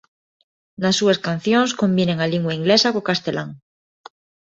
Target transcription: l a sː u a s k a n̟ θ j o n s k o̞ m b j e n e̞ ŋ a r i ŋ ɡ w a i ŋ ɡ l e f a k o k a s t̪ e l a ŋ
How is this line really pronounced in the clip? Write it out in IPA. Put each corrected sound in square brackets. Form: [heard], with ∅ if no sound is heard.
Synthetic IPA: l a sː u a s k a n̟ θ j o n s k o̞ m b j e n e̞ ŋ a [l] i ŋ ɡ w a i ŋ ɡ l e [s] a k o k a s t̪ e l a ŋ